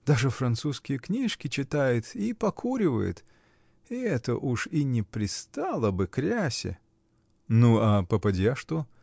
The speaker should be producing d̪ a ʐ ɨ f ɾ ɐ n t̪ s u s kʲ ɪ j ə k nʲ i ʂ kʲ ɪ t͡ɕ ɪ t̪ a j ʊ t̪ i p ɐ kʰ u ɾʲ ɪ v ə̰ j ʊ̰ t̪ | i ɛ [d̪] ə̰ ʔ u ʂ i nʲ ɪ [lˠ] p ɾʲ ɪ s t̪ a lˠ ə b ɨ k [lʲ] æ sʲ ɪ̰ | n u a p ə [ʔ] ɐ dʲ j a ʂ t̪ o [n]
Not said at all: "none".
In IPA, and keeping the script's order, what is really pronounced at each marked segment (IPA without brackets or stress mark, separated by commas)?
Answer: t̪, none, ɾʲ, p, none